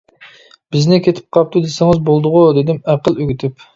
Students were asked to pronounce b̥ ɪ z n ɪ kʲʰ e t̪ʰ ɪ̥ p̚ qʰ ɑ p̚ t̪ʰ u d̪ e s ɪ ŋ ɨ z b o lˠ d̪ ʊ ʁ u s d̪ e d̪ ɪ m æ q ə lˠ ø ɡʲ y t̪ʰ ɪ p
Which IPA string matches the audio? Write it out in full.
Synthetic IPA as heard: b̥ ɪ z n ɪ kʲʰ e t̪ʰ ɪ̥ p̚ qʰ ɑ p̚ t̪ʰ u d̪ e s ɪ ŋ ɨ z b o lˠ d̪ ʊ ʁ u d̪ e d̪ ɪ m æ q ə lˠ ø ɡʲ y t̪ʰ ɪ p

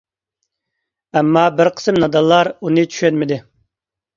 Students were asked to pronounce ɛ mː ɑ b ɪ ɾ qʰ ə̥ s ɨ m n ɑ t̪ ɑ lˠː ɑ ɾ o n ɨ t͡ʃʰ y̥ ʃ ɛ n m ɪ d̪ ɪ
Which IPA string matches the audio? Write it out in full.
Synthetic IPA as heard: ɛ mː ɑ b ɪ ɾ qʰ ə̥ s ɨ m n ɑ d̪ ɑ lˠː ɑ ɾ u n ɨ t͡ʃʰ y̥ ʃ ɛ n m ɪ d̪ ɪ

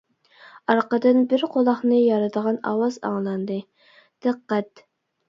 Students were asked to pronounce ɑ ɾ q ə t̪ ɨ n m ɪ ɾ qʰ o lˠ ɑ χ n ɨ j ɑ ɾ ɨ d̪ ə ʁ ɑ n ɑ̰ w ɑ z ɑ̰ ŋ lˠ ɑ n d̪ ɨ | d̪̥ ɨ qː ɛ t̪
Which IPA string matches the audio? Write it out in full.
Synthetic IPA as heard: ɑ ɾ q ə d̪ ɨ n b ɪ ɾ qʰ o lˠ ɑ χ n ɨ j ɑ ɾ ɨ d̪ ə ʁ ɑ n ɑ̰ w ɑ z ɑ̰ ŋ lˠ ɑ n d̪ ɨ | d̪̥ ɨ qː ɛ t̪

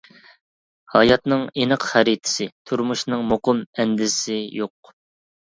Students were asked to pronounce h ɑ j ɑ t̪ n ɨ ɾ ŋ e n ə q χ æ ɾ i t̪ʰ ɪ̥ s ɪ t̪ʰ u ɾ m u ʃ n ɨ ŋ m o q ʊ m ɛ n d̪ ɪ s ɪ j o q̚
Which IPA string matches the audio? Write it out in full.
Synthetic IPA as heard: h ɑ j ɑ t̪ n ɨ ŋ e n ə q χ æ ɾ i t̪ʰ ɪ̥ s ɪ t̪ʰ u ɾ m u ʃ n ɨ ŋ m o q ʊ m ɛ n d̪ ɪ s ɪ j o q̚

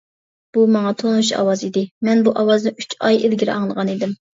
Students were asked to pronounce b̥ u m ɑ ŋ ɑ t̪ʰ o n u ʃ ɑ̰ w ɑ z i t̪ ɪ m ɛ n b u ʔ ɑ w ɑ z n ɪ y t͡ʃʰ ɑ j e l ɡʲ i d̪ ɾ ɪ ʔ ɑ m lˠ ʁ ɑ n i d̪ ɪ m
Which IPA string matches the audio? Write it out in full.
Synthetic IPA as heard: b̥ u m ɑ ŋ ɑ t̪ʰ o n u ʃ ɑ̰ w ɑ z i d̪ ɪ m ɛ n b u ʔ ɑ w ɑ z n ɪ y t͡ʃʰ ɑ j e l ɡʲ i ɾ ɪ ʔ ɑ ŋ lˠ ʁ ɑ n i d̪ ɪ m

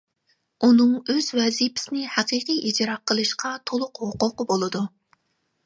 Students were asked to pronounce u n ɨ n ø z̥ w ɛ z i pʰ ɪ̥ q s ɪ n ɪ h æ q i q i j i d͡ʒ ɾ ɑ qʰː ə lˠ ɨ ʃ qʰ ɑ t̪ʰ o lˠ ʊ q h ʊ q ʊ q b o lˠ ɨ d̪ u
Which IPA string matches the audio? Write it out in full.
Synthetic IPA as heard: u n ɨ ŋ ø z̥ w ɛ z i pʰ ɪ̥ s ɪ n ɪ h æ q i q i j i d͡ʒ ɾ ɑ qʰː ə lˠ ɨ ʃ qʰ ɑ t̪ʰ o lˠ ʊ q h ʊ q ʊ q b o lˠ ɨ d̪ u

